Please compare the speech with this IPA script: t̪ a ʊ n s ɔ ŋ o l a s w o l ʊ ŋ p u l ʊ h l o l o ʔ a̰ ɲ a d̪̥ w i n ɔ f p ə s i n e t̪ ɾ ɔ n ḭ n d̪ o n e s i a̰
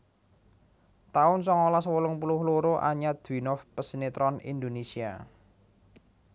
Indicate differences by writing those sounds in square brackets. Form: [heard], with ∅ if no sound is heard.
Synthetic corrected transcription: t̪ a ʊ n s ɔ ŋ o l a s w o l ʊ ŋ p u l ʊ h l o [ɾ] o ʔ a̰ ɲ a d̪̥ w i n ɔ f p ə s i n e t̪ ɾ ɔ n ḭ n d̪ o n e s i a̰